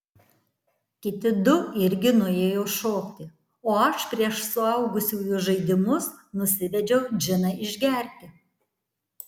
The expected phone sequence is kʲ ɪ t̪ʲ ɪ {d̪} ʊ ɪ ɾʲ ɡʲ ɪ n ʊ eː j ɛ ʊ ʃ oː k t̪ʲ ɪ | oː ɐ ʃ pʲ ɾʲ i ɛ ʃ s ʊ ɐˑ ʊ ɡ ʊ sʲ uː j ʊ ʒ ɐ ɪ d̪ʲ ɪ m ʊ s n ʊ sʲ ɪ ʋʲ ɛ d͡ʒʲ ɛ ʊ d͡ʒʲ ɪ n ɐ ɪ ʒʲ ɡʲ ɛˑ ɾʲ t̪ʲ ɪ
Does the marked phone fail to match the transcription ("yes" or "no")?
no